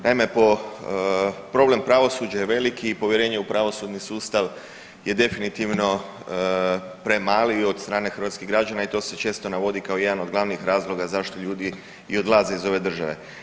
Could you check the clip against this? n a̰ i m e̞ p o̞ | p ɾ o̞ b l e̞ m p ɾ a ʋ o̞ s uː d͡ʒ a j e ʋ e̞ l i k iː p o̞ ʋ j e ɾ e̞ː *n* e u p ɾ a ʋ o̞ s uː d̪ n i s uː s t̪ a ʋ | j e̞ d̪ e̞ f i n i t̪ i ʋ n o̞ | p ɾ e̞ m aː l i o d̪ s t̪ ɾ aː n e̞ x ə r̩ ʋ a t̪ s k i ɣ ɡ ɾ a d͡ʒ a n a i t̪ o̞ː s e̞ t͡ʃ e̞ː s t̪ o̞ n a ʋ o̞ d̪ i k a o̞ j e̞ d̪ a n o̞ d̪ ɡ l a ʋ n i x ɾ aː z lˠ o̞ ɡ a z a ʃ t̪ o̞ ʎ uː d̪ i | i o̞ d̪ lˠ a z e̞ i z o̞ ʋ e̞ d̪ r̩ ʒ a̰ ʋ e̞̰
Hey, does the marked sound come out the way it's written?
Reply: no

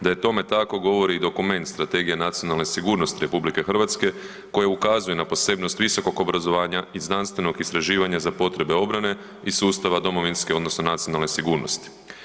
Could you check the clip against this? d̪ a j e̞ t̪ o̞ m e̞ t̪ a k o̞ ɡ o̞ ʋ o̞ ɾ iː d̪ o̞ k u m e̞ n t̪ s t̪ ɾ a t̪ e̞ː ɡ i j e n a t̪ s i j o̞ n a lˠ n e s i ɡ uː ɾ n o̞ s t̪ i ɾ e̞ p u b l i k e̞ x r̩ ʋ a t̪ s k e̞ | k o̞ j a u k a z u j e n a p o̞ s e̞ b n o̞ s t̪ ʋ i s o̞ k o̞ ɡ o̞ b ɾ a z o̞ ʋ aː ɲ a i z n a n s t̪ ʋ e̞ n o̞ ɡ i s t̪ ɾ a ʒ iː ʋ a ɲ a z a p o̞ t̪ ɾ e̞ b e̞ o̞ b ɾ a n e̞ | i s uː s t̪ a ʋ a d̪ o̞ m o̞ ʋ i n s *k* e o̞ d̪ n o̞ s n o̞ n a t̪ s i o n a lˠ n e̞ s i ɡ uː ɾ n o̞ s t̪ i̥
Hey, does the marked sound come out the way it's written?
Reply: yes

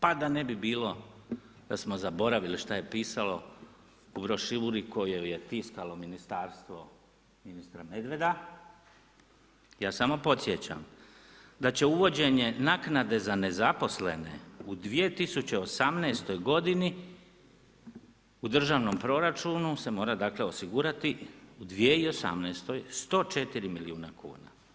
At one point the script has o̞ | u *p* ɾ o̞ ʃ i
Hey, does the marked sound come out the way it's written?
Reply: no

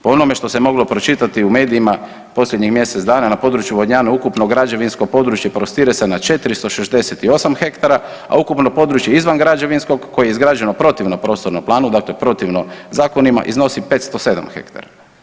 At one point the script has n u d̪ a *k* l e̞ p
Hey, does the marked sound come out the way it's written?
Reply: yes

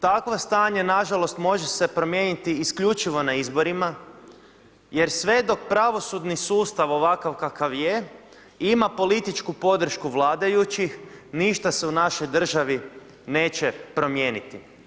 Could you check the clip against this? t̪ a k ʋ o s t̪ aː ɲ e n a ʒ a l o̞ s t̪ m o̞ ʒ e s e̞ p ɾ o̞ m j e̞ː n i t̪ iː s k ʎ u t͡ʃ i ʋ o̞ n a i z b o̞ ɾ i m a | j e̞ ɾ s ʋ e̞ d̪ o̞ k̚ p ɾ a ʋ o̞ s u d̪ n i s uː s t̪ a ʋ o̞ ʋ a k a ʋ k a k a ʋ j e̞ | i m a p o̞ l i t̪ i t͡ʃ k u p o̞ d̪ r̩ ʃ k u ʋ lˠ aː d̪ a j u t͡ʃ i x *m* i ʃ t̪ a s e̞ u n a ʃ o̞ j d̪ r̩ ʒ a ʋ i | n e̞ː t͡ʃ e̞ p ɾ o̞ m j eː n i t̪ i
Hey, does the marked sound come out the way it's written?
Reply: no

